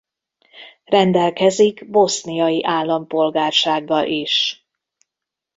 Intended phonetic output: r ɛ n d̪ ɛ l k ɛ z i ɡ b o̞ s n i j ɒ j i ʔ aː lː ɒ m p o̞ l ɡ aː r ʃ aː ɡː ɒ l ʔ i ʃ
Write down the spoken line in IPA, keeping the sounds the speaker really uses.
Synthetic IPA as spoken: r ɛ n d̪ ɛ l k ɛ z i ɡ b o̞ s n i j ɒ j i ʔ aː lː ɒ m p o̞ l ɡ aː r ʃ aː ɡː ɒ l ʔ i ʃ